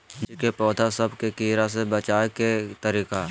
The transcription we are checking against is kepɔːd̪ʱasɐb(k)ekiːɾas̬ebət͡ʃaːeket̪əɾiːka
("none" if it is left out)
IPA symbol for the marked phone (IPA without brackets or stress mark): k